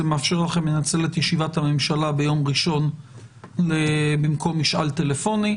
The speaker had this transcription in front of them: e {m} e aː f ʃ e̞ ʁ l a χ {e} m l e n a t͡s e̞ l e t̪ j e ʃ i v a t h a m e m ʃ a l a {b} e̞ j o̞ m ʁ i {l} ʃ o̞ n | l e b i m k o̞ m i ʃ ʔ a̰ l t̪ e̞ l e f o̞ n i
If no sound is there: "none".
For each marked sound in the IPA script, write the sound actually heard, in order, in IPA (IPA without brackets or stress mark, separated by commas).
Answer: m, e, b, none